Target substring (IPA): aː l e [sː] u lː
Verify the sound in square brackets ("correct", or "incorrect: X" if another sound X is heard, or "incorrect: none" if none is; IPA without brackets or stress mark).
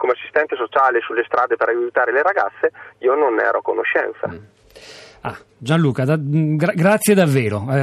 incorrect: s